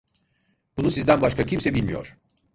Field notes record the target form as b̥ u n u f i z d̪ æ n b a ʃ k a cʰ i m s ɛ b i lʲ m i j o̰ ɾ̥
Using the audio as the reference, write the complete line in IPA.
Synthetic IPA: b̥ u n u s i z d̪ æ n b a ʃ k a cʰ i m s ɛ b i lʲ m i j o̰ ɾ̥